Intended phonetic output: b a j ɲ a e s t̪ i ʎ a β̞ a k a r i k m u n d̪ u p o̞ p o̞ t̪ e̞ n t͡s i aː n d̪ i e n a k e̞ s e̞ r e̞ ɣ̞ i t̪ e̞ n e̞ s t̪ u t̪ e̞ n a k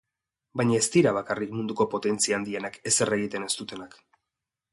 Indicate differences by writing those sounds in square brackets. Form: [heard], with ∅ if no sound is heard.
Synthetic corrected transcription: b a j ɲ a e s t̪ i [ɾ] a β̞ a k a r i k m u n d̪ u [k] o̞ p o̞ t̪ e̞ n t͡s i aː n d̪ i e n a k e̞ s e̞ r e̞ ɣ̞ i t̪ e̞ n e̞ s t̪ u t̪ e̞ n a k